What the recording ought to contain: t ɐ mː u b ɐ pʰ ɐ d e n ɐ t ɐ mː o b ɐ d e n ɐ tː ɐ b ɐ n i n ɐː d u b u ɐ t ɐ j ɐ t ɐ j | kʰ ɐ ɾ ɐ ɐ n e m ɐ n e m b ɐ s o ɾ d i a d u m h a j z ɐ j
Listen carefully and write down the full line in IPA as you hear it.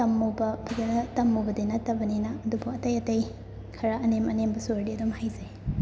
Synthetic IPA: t ɐ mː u b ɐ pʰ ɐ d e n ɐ t ɐ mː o b ɐ d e n ɐ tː ɐ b ɐ n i n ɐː d u b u ɐ t ɐ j ɐ t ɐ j | kʰ ɐ ɾ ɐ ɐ n e m ɐ n e m b ɐ s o ɾ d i ɐ d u m h a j z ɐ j